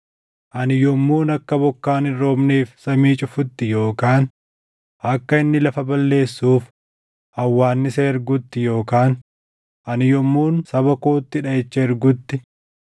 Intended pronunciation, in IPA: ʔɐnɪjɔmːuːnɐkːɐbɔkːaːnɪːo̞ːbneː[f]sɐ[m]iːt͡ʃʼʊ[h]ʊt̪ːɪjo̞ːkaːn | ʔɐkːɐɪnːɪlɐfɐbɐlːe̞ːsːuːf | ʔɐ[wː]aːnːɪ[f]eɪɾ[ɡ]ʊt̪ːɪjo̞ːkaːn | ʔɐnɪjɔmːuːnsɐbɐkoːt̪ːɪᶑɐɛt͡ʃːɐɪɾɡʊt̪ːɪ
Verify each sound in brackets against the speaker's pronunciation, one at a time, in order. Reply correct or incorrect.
correct, correct, incorrect, correct, incorrect, correct

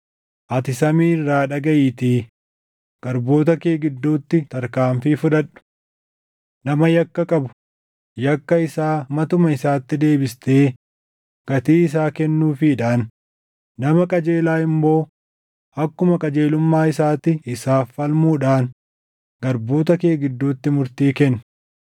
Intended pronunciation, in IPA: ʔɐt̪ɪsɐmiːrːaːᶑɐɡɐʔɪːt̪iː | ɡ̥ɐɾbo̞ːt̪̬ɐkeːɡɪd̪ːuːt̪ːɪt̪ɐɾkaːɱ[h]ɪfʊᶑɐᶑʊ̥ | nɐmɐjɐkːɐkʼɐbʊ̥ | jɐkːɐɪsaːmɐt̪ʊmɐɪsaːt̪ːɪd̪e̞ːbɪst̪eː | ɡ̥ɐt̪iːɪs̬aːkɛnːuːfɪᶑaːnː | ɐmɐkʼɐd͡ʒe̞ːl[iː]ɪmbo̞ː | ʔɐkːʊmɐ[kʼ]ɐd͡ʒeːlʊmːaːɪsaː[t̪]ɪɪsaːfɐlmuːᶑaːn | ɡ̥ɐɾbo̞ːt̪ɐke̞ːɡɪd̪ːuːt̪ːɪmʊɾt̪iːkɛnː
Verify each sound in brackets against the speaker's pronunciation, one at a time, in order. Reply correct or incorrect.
incorrect, incorrect, correct, correct

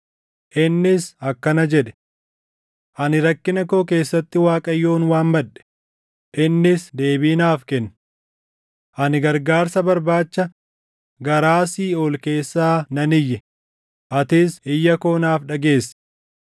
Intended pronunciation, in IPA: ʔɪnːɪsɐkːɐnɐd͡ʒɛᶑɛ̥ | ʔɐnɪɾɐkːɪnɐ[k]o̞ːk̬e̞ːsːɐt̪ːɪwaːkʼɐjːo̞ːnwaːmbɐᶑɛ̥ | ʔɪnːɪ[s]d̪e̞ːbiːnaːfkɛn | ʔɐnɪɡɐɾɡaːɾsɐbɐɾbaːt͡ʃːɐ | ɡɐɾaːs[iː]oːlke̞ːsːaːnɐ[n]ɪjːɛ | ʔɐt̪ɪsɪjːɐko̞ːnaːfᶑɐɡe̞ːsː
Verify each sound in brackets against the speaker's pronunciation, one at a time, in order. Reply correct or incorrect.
correct, correct, correct, correct

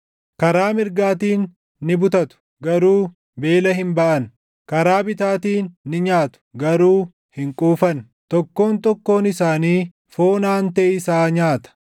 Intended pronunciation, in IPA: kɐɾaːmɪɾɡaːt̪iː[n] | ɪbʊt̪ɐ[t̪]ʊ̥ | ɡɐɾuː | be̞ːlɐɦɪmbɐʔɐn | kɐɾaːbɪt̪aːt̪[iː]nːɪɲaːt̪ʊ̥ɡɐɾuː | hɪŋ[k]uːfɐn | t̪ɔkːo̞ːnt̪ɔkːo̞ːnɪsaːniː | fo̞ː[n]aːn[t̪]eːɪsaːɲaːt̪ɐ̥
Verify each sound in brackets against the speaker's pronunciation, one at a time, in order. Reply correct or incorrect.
incorrect, correct, correct, incorrect, correct, correct

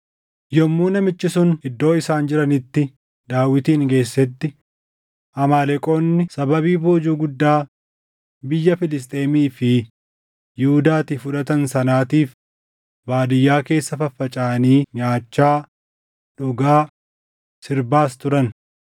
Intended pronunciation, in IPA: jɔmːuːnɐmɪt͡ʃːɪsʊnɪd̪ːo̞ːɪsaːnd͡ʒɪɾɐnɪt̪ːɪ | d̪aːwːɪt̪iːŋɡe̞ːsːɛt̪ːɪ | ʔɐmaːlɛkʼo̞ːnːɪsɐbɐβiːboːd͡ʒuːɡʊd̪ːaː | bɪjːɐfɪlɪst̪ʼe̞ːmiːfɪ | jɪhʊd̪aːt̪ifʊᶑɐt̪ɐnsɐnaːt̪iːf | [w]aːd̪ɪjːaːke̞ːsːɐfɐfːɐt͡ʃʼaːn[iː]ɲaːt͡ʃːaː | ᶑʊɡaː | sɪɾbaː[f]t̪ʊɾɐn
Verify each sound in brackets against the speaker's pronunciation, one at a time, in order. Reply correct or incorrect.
incorrect, correct, incorrect

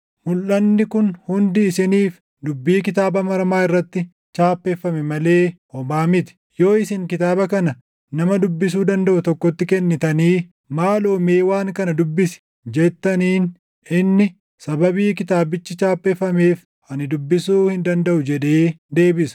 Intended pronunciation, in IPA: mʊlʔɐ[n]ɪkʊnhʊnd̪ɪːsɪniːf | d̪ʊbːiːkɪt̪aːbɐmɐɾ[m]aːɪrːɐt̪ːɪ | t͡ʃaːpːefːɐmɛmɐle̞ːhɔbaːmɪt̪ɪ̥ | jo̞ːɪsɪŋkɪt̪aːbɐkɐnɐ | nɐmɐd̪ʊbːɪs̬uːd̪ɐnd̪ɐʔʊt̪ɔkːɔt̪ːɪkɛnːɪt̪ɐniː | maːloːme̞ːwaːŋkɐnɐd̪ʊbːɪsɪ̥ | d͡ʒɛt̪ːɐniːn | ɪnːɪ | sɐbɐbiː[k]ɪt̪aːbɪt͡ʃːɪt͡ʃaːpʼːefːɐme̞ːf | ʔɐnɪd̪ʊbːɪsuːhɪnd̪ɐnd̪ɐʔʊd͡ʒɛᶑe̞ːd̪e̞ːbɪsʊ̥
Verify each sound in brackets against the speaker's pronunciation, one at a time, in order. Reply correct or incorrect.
incorrect, correct, correct

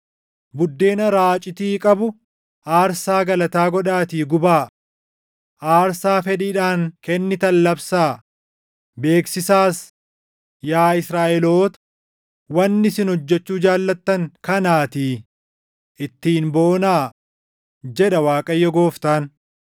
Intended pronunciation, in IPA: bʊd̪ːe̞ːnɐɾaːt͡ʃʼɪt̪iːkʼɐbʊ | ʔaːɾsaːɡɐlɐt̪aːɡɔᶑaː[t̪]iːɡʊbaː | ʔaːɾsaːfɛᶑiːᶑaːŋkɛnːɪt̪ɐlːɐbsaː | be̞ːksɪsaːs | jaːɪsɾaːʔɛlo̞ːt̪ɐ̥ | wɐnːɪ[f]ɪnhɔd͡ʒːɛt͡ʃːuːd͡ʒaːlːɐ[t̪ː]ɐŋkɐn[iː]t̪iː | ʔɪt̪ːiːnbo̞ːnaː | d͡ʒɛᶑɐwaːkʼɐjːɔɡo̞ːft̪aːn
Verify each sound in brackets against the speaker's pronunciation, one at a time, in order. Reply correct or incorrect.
correct, incorrect, correct, incorrect

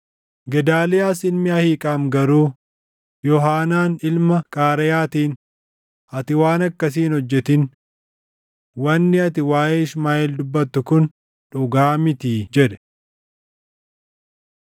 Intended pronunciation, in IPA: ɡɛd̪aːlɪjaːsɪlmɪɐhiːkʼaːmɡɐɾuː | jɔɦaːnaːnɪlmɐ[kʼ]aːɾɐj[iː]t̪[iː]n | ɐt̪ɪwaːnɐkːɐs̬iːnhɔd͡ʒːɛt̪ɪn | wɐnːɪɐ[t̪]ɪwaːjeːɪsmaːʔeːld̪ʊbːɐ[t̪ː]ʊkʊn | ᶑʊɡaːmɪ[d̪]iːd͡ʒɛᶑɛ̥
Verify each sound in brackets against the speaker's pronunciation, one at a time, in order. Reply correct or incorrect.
correct, incorrect, correct, correct, correct, incorrect

